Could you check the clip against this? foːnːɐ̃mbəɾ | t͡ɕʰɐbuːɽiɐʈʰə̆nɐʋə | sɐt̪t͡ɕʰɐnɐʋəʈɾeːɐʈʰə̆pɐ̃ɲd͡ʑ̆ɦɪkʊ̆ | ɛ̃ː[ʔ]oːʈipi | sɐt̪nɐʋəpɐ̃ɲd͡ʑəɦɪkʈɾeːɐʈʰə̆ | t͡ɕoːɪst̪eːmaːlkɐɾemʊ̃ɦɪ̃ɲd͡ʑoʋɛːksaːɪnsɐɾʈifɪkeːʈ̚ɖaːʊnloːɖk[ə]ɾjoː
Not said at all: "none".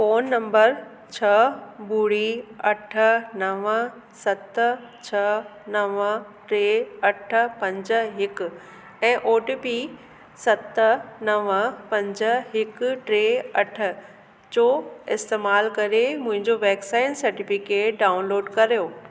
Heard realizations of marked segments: ʔ, ɐ

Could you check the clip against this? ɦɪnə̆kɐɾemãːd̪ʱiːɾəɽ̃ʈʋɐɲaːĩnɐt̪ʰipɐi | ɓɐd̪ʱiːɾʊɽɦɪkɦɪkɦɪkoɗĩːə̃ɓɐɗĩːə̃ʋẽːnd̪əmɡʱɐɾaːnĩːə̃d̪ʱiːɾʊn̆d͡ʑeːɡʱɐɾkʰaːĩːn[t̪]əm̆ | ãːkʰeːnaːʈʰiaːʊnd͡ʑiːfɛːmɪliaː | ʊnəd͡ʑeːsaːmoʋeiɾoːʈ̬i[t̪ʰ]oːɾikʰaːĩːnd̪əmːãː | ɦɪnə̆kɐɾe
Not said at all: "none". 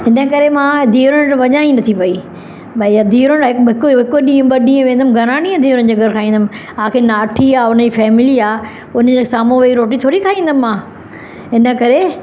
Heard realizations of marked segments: d̪, t̪ʰ

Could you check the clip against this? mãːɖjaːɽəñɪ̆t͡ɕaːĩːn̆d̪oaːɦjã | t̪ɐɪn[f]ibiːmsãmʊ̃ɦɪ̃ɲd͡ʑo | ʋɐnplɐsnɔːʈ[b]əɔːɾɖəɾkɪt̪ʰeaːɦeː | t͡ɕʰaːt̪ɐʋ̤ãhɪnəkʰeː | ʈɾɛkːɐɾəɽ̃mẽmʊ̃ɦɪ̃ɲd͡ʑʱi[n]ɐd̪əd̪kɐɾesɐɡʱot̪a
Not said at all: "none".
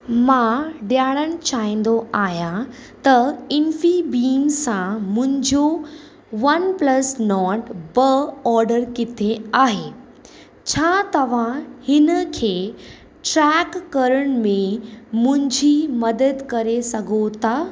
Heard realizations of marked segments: f, b, m

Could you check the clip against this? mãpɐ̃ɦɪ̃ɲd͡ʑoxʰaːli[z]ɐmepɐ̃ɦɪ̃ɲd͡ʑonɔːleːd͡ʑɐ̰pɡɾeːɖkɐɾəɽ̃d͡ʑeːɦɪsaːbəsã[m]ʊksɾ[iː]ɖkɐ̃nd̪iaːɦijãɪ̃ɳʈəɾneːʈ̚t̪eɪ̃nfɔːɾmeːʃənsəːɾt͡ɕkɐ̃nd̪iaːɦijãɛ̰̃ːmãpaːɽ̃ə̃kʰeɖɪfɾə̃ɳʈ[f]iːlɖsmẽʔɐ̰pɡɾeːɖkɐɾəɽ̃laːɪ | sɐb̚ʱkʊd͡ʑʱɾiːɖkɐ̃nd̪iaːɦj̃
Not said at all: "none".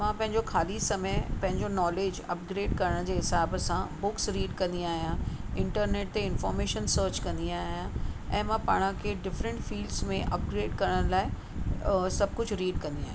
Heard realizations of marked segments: s, b, iː, f

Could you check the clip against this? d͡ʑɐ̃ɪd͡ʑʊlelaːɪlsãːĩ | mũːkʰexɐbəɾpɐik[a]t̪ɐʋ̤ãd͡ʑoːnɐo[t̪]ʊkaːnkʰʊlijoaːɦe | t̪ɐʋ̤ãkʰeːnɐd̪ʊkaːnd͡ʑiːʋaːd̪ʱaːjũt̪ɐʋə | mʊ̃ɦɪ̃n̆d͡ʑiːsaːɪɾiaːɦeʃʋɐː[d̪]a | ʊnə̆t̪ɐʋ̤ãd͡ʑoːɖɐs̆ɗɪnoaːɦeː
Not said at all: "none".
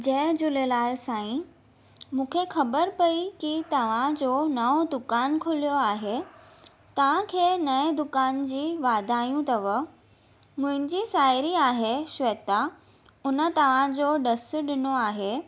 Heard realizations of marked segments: i, d̪, t̪

